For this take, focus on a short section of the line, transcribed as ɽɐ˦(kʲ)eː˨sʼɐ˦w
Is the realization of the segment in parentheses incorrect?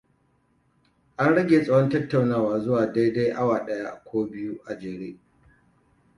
yes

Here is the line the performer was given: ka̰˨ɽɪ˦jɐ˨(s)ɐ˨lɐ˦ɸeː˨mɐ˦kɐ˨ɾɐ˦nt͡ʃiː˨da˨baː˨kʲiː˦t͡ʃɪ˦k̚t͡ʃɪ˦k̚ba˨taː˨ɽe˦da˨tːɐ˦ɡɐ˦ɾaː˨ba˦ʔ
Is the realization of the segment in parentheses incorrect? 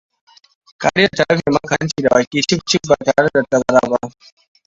yes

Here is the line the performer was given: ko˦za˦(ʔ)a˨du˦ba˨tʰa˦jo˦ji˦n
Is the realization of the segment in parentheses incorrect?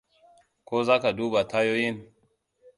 yes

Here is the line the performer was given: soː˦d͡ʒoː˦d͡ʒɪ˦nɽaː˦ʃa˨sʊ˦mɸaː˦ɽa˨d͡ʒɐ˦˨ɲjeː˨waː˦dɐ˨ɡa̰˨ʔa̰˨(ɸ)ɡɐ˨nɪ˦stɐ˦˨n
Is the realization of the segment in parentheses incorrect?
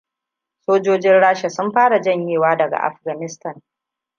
no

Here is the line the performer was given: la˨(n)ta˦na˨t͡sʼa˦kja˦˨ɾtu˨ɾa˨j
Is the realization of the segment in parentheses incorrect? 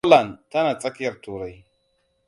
no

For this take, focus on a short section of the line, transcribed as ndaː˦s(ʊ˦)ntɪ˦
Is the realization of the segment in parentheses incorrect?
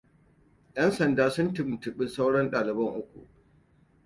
no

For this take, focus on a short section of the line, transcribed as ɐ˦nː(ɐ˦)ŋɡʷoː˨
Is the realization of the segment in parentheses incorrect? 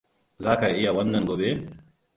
yes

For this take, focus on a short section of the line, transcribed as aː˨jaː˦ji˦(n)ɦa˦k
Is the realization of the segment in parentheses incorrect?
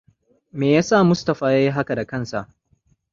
yes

